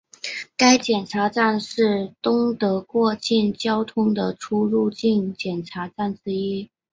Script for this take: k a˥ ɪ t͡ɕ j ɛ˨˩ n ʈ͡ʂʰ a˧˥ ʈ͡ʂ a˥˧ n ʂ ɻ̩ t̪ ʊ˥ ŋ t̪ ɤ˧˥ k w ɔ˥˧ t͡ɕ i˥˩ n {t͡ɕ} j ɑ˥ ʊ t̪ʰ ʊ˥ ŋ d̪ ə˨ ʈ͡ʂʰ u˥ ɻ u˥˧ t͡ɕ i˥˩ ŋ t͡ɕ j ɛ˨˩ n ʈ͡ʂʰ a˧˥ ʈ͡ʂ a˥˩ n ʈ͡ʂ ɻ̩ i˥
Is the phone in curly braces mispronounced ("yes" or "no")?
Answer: no